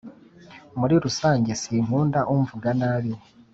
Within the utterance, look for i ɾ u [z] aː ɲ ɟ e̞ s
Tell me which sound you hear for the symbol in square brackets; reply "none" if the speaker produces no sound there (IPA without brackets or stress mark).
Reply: s